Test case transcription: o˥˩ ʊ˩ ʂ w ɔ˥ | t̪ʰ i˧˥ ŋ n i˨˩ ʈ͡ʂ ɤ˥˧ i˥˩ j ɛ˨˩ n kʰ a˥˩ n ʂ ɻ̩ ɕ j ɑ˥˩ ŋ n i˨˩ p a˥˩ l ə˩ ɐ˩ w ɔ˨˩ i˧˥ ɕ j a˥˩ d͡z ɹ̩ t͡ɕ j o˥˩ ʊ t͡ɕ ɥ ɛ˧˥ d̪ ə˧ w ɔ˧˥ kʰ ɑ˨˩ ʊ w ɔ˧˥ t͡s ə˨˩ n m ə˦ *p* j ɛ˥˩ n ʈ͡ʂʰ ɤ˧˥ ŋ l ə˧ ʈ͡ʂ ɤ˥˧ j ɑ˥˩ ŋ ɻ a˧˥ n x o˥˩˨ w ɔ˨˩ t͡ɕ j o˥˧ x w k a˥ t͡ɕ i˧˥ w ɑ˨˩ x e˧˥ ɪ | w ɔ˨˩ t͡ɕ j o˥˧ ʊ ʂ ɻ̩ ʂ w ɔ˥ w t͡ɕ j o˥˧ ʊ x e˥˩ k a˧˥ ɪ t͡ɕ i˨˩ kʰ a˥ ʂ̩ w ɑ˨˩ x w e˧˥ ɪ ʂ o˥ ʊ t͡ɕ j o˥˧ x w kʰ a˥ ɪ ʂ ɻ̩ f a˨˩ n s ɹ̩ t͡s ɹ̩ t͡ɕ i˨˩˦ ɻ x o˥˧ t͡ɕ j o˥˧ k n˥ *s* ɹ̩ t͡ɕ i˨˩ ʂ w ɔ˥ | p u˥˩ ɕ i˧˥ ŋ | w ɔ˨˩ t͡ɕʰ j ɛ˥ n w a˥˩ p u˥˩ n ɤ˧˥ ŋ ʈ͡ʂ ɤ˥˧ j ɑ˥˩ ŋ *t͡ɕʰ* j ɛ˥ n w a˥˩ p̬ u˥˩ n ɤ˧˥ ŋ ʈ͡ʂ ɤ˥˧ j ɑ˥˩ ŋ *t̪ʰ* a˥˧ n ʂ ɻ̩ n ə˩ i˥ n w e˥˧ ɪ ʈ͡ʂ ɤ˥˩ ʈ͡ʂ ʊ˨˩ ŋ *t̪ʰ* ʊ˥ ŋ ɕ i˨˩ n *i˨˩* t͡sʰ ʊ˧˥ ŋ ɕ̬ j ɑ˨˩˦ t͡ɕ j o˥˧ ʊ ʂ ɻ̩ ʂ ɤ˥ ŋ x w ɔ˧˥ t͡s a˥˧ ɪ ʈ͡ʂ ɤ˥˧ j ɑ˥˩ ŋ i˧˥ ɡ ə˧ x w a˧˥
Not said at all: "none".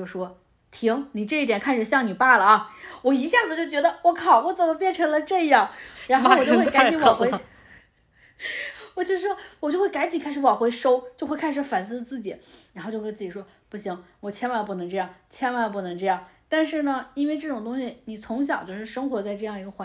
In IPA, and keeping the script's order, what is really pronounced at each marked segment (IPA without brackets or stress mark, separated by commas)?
p, t͡s, t͡ɕʰ, t̪, t̪, i˨˩